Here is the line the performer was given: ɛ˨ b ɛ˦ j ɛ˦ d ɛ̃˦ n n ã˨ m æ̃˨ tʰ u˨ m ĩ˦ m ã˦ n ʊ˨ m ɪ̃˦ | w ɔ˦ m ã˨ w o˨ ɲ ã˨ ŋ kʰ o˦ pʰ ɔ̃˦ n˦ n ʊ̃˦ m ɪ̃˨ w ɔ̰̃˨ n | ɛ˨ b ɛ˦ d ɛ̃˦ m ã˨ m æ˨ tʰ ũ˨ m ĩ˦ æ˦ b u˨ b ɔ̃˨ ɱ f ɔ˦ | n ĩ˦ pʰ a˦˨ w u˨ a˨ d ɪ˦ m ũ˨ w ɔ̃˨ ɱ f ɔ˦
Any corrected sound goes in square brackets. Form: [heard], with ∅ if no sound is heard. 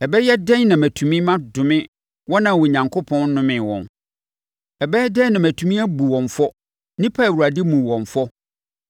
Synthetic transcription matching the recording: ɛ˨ b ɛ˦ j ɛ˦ d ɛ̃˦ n n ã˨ m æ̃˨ tʰ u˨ m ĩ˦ m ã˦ [d] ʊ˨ m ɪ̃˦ | w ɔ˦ [n] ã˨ w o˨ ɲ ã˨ ŋ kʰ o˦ pʰ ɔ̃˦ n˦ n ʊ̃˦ m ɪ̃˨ w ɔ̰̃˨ n | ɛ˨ b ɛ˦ d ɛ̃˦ [n] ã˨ m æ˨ tʰ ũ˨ m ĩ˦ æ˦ b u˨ [w] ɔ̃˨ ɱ f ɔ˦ | n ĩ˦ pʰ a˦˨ w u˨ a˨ d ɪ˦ m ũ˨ w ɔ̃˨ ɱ f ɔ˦